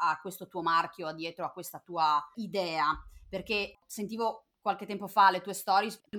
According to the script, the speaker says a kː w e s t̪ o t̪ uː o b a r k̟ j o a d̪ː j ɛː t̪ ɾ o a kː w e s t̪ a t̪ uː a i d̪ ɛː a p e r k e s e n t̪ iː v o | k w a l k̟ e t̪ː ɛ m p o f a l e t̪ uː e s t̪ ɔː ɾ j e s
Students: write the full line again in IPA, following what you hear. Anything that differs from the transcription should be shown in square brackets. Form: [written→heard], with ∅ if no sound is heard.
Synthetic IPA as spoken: a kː w e s t̪ o t̪ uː o [b→m] a r k̟ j o a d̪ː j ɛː t̪ ɾ o a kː w e s t̪ a t̪ uː a i d̪ ɛː a p e r k e s e n t̪ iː v o | k w a l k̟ e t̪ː ɛ m p o f a l e t̪ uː e s t̪ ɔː ɾ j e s